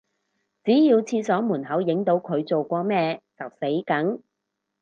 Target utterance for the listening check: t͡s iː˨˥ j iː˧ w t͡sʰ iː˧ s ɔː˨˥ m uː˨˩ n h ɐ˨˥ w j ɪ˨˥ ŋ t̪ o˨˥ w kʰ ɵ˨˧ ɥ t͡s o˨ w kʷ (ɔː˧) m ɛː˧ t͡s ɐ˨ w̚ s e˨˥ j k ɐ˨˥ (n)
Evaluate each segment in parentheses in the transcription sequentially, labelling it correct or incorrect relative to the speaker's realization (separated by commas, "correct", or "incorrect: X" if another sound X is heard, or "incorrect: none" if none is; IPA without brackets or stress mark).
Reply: correct, incorrect: ŋ